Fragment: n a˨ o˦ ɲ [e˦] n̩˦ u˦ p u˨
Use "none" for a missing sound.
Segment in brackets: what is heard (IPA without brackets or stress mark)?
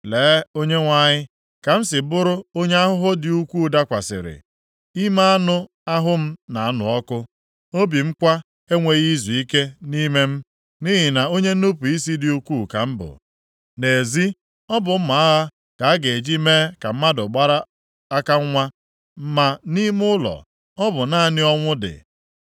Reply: e˦